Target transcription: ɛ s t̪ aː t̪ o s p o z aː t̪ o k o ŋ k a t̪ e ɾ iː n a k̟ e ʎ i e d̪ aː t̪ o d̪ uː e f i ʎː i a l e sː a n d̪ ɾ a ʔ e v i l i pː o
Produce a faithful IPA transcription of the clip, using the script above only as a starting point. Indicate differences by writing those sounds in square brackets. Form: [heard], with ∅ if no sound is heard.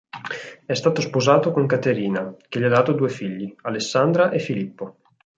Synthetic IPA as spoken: ɛ s t̪ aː t̪ o s p o z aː t̪ o k o ŋ k a t̪ e ɾ iː n a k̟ e ʎ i [a] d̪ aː t̪ o d̪ uː e f i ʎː i a l e sː a n d̪ ɾ a ʔ e [f] i l i pː o